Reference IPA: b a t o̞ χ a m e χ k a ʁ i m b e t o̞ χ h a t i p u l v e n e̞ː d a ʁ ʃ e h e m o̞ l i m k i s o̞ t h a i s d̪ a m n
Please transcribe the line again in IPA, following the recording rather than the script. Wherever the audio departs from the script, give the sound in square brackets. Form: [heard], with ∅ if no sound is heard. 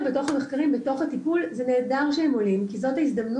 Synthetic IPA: b [e] t o̞ χ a m e χ k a ʁ i m b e t o̞ χ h a t i p u l [z] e n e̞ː d a ʁ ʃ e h e m o̞ l i m k i [z] o̞ t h a i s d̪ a m n

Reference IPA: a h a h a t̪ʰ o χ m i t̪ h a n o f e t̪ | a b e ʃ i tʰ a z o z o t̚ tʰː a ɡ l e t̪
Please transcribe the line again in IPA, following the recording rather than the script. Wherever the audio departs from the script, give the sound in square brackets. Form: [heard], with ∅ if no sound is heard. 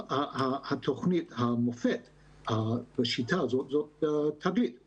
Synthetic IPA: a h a h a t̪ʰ o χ [n] i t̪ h a [m] o f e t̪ | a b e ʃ i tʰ a z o z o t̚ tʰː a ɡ l [i] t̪

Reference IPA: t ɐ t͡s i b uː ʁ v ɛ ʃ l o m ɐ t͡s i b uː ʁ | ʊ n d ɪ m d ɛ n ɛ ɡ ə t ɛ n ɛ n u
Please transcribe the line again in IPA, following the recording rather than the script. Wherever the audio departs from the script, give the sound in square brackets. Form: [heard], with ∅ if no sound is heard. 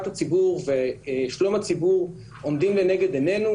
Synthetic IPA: t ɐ t͡s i b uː ʁ v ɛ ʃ l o m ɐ t͡s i b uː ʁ | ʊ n d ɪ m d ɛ n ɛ ɡ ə [d] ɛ n ɛ n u

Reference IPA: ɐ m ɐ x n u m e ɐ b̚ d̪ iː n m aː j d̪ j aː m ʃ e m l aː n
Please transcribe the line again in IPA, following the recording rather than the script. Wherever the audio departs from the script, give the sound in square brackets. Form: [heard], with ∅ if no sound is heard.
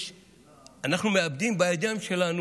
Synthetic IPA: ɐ [n] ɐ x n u m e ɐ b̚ d̪ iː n [b] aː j d̪ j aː m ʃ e [∅] l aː n

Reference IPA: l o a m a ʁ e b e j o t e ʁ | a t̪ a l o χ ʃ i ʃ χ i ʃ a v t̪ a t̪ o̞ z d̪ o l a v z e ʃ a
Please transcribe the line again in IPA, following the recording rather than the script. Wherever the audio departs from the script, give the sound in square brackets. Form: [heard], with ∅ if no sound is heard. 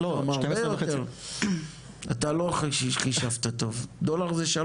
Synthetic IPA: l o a m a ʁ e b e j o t e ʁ | a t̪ a l o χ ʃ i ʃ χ i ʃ a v t̪ a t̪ o̞ [v] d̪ o l a [ʁ] z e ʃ a

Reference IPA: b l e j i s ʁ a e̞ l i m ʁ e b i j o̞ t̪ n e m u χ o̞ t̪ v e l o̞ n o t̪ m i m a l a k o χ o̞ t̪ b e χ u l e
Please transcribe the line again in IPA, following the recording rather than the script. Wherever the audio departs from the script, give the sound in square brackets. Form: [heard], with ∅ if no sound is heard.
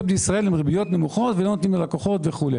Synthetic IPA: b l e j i s ʁ a e̞ l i m ʁ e b i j o̞ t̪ n e m u χ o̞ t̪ v e l o̞ n o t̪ [n] i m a l a k o χ o̞ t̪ [v] e χ u l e

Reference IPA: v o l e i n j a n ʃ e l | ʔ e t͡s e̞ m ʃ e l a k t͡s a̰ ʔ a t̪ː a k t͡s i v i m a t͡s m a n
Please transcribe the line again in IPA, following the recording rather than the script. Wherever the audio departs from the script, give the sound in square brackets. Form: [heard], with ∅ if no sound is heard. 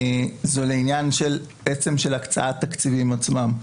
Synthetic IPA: [z] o l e i n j a n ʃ e l | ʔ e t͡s e̞ m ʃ e l a k t͡s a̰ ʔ a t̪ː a k t͡s i v i m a t͡s m a [m]

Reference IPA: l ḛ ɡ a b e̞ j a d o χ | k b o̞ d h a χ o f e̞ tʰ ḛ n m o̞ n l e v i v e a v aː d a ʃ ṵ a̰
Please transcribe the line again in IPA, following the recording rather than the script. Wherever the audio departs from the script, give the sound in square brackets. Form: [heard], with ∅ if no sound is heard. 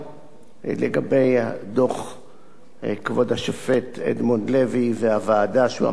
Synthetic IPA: l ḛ ɡ a b e̞ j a d o χ | k [v] o̞ d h a [ʃ] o f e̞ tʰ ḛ [d] m o̞ n l e v i v e a v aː d a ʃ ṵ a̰

